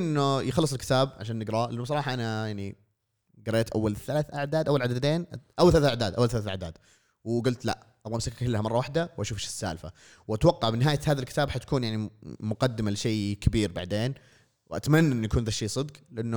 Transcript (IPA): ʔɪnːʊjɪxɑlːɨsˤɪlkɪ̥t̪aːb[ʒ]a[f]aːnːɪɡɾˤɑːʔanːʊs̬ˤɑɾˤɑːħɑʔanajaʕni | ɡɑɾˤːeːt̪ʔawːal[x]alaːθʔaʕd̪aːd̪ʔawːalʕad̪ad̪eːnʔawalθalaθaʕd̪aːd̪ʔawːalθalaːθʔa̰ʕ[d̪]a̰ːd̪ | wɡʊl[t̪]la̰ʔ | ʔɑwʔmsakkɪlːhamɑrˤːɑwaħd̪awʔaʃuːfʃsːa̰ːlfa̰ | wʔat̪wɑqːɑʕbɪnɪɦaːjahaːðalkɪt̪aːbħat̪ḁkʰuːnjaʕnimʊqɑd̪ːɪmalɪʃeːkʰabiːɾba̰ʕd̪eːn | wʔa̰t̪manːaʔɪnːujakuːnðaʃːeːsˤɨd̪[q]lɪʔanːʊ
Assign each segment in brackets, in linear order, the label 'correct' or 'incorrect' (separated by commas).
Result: incorrect, incorrect, incorrect, correct, correct, correct